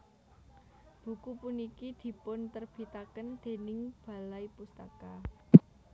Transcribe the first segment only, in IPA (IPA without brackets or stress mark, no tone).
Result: b̥